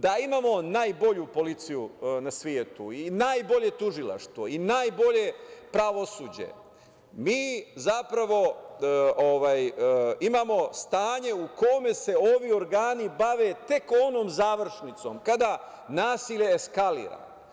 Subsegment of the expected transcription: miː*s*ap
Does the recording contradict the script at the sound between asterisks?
yes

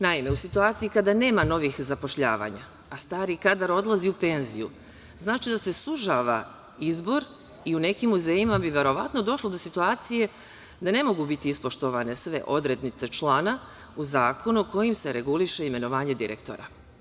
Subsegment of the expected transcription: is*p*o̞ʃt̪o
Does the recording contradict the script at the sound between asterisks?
no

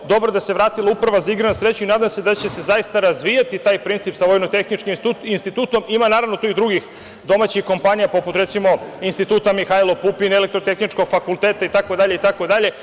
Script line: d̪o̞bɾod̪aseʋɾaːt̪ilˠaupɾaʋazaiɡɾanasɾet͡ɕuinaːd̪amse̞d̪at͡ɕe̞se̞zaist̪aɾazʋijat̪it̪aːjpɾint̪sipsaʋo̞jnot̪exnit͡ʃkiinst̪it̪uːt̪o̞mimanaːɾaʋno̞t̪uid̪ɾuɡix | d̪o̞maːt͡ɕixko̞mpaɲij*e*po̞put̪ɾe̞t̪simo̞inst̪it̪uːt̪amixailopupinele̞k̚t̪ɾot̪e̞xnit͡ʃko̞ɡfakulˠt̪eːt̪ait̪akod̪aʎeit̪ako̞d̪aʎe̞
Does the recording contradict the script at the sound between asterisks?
yes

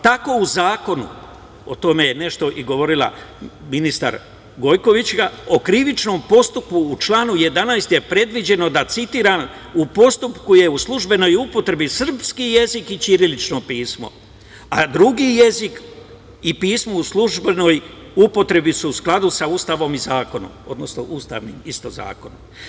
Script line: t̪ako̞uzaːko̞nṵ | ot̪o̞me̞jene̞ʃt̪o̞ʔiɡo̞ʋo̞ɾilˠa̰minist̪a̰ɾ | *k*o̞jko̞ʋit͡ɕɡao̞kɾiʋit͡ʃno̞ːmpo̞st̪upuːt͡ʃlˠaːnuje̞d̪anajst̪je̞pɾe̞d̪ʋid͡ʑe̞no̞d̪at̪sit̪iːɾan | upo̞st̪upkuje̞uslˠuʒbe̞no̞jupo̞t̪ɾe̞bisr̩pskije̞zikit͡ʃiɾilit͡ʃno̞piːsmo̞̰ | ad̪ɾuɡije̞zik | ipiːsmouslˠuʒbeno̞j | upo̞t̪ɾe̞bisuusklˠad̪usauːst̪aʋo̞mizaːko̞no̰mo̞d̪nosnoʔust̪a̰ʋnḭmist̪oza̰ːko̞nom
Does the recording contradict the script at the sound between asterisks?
yes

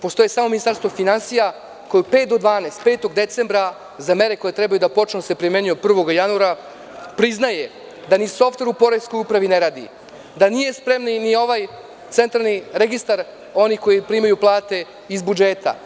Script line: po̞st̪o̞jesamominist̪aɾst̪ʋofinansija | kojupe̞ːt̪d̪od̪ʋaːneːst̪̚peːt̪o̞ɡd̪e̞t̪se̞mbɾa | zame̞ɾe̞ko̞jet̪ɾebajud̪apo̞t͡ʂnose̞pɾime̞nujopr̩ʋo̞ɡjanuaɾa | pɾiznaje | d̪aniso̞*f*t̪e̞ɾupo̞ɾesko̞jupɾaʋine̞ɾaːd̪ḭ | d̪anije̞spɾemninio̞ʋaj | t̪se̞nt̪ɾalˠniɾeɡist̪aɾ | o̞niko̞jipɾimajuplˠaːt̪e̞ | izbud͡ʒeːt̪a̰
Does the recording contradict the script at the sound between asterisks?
no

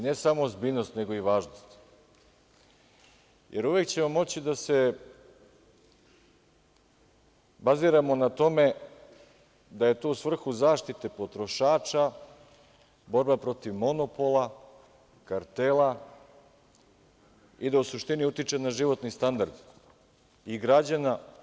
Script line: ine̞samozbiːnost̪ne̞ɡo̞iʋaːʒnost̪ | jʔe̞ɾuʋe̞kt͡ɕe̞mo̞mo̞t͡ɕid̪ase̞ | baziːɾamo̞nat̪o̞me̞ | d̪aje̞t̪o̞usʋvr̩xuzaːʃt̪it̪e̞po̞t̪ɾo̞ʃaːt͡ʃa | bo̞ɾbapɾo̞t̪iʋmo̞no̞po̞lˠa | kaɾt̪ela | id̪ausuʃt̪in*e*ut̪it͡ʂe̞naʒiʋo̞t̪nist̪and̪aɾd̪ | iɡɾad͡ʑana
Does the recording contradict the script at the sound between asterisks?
yes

